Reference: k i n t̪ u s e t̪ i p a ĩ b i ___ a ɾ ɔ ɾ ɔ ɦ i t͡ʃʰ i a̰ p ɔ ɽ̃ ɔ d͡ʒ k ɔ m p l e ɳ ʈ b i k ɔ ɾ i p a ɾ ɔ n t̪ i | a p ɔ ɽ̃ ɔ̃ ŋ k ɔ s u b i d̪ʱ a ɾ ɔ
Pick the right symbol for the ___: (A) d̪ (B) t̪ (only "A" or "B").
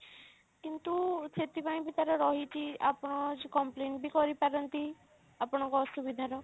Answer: B